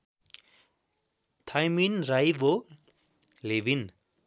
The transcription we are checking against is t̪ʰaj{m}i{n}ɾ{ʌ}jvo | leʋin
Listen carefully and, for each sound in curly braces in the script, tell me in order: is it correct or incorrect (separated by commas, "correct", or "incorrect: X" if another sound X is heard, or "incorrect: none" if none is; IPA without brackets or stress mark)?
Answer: correct, correct, incorrect: a